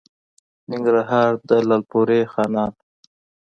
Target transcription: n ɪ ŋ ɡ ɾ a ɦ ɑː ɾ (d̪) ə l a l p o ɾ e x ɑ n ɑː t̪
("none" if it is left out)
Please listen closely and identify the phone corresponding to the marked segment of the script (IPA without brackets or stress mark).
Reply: d̪